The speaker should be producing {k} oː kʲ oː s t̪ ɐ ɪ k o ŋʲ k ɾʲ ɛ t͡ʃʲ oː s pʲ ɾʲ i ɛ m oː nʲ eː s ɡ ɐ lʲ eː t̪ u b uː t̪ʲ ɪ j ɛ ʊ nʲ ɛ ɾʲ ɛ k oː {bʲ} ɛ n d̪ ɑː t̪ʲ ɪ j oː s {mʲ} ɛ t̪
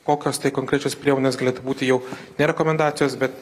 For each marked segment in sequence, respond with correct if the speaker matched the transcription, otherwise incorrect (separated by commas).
correct, incorrect, incorrect